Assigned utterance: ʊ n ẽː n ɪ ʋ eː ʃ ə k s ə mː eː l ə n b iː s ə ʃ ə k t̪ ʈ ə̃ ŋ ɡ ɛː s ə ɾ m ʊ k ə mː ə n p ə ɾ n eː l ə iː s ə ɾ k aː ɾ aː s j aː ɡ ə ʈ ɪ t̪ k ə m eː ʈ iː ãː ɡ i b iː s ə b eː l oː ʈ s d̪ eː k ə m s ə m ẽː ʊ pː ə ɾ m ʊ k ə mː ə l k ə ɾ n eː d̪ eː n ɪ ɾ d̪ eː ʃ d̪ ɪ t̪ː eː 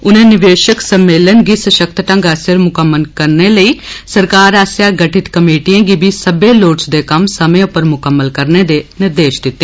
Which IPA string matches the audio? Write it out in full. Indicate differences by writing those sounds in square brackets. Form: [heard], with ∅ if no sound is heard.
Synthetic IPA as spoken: ʊ n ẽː n ɪ ʋ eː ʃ ə k s ə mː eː l ə n [ɡ] iː s ə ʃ ə k t̪ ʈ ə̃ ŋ ɡ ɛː s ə ɾ m ʊ k ə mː ə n [k] ə ɾ n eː l ə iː s ə ɾ k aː ɾ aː s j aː ɡ ə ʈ ɪ t̪ k ə m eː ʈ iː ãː ɡ i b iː s ə b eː l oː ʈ s d̪ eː k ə m s ə m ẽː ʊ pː ə ɾ m ʊ k ə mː ə l k ə ɾ n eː d̪ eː n ɪ ɾ d̪ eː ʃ d̪ ɪ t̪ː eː